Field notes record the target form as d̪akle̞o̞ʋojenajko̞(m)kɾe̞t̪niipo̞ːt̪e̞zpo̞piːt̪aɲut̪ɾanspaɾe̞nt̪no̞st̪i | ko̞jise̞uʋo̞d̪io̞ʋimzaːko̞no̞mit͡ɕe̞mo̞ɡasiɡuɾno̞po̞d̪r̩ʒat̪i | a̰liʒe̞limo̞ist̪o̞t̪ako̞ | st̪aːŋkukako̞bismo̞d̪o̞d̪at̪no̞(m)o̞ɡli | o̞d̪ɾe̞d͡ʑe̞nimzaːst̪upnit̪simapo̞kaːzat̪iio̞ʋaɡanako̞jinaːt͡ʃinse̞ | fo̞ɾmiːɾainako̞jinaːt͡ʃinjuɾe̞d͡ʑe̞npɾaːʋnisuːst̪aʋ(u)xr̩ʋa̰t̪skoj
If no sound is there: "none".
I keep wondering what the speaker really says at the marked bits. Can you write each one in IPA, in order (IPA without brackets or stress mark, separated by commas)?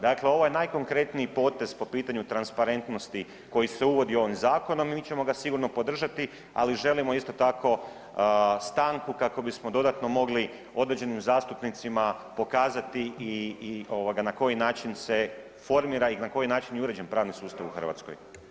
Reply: ŋ, m, u